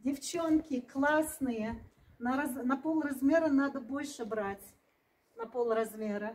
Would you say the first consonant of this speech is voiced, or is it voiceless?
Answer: voiced